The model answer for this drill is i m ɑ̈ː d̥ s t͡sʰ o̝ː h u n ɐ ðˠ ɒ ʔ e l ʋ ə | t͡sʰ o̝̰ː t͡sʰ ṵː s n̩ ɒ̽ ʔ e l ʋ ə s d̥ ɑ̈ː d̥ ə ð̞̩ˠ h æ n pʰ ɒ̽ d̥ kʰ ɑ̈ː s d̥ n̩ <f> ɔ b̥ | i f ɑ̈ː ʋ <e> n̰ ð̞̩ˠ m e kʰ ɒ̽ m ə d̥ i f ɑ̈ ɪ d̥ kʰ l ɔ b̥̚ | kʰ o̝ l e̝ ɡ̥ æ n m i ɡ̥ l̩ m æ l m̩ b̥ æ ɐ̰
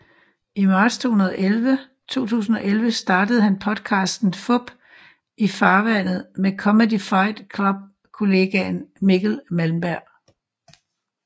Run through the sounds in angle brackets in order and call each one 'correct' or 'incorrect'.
correct, incorrect

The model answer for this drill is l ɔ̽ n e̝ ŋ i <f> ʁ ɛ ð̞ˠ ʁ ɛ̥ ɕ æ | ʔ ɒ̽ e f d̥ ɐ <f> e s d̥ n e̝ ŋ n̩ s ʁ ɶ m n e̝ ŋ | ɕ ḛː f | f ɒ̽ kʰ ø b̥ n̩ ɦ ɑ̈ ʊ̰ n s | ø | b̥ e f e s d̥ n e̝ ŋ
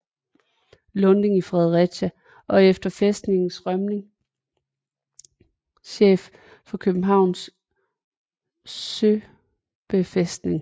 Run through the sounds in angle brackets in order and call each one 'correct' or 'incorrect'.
correct, correct

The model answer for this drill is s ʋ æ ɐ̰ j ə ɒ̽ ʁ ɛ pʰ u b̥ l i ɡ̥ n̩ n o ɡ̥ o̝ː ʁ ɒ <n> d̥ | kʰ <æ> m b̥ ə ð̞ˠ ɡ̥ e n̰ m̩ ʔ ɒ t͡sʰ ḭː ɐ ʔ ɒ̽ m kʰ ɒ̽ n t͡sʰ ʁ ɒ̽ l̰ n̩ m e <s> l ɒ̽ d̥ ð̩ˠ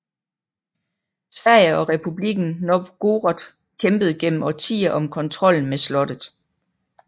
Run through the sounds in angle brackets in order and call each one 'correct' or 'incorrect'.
incorrect, incorrect, correct

